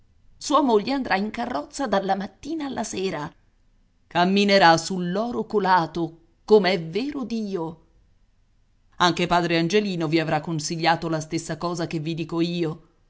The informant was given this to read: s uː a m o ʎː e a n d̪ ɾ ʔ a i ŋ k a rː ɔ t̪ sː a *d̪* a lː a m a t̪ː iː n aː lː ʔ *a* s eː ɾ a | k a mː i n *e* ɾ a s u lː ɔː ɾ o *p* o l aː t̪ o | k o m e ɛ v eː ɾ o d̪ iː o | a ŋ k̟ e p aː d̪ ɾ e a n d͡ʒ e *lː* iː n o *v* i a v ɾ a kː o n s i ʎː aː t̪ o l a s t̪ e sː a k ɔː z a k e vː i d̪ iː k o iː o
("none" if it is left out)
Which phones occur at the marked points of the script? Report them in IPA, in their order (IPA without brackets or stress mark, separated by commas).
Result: d̪, a, e, k, l, v